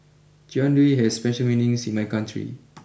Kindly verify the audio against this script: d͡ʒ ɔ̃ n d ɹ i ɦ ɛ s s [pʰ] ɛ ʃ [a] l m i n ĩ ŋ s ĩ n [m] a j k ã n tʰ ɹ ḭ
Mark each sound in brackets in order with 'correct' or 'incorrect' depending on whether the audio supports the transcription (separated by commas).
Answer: incorrect, incorrect, correct